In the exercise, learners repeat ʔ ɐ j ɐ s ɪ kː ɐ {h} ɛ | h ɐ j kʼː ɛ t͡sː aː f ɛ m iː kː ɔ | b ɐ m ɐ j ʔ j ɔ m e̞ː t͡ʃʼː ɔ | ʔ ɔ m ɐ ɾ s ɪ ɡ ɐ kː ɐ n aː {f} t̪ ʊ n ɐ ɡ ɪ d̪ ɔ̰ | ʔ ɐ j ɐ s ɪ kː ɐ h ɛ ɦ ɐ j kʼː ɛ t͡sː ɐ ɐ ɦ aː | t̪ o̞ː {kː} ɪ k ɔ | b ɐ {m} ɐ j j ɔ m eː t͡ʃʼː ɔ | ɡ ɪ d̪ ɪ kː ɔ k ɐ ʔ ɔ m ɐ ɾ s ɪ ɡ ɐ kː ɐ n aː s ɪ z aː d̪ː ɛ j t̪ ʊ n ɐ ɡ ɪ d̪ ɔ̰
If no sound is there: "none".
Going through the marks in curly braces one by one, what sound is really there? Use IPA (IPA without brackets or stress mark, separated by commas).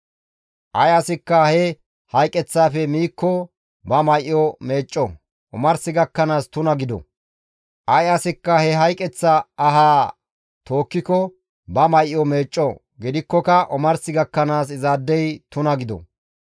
h, s, kː, m